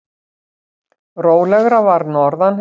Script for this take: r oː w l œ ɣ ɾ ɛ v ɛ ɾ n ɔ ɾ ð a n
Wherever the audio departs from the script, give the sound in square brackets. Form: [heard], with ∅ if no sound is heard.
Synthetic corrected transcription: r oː w l [ɛ] ɣ ɾ [a] v [a] ɾ n ɔ ɾ ð a n